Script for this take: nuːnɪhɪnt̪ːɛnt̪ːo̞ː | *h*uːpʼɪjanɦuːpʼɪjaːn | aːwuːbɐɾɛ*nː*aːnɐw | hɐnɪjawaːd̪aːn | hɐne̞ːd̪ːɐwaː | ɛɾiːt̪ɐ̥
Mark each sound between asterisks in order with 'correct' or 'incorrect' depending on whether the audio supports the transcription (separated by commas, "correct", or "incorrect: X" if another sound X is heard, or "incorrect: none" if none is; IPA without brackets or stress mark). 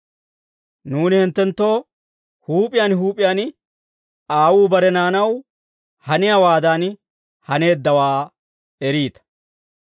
correct, incorrect: n